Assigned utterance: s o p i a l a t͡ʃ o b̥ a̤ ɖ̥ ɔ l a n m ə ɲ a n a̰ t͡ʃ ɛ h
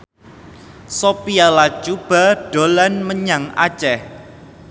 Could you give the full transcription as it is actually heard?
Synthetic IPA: s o p i a l a t͡ʃ u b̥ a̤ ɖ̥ o l a n m ə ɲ a ŋ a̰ t͡ʃ ɛ h